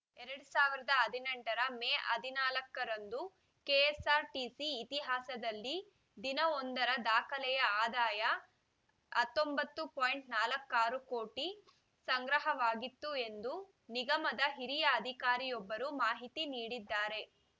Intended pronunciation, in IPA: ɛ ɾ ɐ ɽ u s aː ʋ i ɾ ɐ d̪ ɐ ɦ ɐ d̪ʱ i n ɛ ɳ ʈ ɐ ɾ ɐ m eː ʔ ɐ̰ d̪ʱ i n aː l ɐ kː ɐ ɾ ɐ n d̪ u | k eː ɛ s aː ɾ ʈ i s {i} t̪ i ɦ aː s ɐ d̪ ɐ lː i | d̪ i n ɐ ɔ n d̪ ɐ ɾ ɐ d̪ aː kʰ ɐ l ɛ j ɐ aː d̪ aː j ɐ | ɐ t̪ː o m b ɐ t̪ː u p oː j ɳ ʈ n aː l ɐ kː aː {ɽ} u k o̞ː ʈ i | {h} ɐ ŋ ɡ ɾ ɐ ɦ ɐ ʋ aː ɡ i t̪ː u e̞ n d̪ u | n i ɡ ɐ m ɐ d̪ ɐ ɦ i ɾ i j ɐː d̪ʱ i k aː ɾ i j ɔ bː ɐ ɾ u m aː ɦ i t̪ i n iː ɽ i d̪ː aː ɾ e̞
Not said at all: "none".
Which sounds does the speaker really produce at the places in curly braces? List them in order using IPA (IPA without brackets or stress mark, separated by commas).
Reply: iː, ɾ, s